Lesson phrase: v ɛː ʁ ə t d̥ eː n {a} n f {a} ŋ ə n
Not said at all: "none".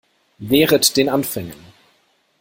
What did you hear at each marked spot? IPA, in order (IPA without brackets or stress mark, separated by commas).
a, ɛ